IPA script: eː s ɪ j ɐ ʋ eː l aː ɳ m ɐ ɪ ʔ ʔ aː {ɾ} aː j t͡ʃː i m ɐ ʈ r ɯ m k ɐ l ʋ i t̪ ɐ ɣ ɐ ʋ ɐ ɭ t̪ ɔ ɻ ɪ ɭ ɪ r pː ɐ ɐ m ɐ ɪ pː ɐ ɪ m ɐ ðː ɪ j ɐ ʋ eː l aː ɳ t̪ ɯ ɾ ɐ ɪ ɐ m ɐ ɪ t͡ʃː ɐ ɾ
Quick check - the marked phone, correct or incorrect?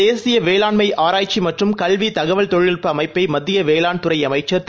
correct